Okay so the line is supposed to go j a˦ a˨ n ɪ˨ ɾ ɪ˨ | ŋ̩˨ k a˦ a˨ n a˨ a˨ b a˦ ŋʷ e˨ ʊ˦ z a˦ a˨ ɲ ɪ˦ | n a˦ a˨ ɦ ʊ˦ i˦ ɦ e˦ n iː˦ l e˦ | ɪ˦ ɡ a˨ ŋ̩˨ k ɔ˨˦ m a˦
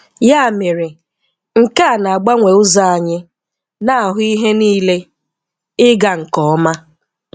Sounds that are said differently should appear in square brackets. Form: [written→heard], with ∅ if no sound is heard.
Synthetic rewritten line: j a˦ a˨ [n→m] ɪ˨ ɾ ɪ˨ | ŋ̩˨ k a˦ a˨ n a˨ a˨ [b→ɡ͡b] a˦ ŋʷ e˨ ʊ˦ z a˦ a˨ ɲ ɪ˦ | n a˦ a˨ ɦ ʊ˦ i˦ ɦ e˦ n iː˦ l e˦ | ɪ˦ ɡ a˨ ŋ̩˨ k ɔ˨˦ m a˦